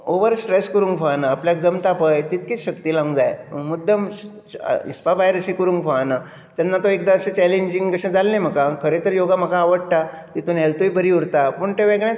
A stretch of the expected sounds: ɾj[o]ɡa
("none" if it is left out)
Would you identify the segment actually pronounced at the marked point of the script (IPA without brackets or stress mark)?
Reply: o